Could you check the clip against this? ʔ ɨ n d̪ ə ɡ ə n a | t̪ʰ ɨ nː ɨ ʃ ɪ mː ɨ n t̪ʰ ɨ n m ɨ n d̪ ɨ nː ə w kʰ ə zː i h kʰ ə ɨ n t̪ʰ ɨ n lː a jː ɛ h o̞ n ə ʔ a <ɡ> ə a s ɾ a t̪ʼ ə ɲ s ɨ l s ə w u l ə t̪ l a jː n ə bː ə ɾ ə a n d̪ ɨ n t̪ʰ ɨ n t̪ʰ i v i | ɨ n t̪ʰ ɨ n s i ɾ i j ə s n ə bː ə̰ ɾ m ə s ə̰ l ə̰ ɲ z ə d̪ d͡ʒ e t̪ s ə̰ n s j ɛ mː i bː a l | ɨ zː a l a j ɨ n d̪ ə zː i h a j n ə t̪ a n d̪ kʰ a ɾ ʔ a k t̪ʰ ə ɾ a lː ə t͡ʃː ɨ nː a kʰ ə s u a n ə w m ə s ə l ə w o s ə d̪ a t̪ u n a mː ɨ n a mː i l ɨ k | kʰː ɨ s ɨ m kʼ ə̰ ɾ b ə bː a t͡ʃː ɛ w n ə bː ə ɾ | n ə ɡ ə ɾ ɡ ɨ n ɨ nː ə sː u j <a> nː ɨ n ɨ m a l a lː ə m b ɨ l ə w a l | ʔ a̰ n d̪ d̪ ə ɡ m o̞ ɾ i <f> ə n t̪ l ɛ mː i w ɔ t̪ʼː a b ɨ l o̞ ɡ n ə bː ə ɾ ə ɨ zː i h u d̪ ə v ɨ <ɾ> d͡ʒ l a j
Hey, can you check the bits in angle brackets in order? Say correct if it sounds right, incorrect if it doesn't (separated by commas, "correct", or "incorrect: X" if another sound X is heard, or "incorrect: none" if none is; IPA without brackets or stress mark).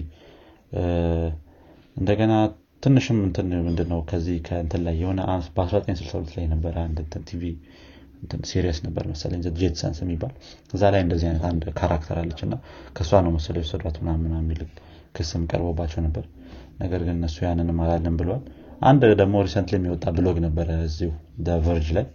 incorrect: b, correct, incorrect: s, correct